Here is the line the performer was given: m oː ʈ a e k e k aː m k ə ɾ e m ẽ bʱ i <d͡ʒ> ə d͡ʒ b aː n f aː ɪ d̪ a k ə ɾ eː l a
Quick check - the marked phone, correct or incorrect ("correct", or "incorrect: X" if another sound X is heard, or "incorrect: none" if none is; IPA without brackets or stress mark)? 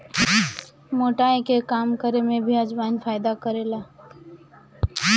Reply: incorrect: none